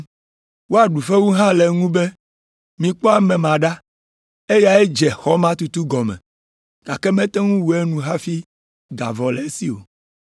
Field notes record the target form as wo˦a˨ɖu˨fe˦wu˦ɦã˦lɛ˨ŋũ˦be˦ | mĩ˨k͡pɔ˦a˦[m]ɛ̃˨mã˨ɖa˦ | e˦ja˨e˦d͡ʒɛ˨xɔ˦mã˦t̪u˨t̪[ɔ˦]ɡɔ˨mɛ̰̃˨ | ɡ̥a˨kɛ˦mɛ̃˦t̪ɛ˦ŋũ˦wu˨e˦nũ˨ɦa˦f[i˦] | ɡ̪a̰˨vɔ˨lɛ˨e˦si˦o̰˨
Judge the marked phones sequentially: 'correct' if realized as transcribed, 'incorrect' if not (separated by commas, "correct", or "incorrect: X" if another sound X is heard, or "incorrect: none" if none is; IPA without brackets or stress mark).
correct, incorrect: u˦, correct